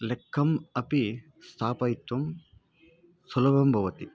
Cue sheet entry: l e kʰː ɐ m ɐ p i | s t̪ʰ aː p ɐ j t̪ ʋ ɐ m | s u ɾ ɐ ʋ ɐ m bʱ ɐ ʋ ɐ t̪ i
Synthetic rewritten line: l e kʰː ɐ m ɐ p i | s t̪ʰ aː p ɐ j t̪ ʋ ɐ m | s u l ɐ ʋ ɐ m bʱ ɐ ʋ ɐ t̪ i